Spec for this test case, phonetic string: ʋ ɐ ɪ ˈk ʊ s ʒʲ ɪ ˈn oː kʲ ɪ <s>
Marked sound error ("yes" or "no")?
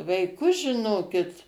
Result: yes